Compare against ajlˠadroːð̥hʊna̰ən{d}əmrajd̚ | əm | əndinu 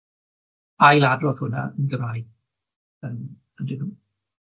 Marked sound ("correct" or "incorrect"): incorrect